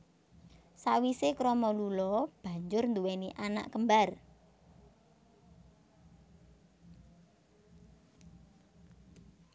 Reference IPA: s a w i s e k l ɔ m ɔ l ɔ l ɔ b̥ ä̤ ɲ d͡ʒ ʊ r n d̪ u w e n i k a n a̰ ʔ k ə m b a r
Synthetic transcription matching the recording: s a w i s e k ɾ ɔ m ɔ l u l ɔ b̥ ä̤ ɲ d͡ʒ ʊ r n d̪ u w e n i ʔ a n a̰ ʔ k ə m b a r